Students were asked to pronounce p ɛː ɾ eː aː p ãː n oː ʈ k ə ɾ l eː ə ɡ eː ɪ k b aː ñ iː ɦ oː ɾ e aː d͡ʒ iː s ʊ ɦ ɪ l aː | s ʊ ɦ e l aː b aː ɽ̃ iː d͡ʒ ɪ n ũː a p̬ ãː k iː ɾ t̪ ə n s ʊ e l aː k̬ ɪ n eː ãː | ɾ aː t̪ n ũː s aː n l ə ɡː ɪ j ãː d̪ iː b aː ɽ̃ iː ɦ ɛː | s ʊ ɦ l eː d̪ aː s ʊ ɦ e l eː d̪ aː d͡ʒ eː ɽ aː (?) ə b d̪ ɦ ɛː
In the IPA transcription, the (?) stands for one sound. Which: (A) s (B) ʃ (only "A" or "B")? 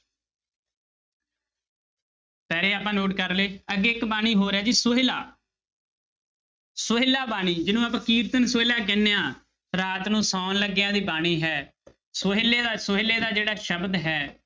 B